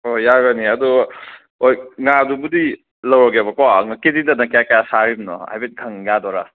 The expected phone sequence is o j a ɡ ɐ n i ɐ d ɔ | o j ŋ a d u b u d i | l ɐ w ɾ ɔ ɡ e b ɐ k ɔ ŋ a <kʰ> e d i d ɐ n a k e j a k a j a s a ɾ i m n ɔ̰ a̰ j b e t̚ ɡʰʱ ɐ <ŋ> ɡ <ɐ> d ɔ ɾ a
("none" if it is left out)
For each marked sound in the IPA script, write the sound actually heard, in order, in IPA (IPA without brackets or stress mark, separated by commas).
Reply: k, ŋ, a